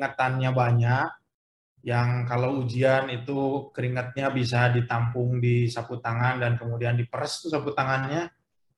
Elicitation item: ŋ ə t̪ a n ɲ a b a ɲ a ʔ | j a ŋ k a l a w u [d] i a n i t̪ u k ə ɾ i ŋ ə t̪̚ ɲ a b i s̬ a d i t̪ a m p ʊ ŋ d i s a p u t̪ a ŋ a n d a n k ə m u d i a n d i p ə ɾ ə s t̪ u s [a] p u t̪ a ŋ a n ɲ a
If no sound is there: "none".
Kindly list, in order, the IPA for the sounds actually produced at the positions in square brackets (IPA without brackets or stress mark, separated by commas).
d͡ʒ, a